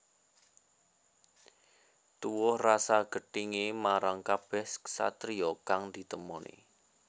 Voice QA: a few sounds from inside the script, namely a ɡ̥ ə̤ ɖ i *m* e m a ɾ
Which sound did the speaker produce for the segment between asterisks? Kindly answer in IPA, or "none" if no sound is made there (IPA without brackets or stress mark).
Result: ŋ